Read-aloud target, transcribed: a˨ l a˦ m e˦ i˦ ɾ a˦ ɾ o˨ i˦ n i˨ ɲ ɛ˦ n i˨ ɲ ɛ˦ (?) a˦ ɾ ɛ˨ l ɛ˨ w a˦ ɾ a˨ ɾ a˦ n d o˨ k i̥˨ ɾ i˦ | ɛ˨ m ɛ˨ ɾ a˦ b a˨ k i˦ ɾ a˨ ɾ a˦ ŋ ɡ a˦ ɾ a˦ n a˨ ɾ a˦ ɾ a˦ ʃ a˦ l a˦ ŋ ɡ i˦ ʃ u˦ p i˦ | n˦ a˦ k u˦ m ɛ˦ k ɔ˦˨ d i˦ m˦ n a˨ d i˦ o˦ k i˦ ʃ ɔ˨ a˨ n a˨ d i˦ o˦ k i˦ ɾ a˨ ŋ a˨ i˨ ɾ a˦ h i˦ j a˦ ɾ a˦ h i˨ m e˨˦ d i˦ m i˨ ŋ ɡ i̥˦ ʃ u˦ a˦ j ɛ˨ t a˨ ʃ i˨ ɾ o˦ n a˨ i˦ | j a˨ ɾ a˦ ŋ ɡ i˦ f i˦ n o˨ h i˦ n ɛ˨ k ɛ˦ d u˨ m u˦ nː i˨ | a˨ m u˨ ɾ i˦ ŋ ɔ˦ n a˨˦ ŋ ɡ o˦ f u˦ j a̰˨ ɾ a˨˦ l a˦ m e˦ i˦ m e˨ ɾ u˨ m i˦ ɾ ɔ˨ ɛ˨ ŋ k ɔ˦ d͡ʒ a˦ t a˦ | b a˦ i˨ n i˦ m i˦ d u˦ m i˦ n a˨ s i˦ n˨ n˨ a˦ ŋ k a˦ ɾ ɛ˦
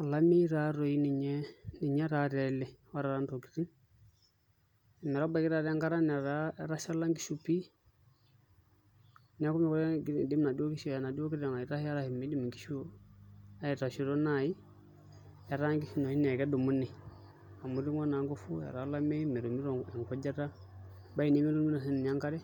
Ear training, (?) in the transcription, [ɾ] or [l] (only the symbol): ɾ